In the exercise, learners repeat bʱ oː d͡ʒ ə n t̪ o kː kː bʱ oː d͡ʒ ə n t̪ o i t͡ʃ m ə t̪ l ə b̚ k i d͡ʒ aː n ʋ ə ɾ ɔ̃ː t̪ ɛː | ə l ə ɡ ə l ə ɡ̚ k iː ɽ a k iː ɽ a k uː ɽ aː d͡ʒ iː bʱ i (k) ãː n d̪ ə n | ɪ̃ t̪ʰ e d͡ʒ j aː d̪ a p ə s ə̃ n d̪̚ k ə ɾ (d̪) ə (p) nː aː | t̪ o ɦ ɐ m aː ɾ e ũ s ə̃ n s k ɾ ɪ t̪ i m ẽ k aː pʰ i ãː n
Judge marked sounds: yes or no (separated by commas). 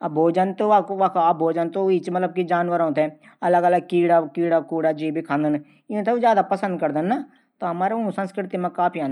no, yes, no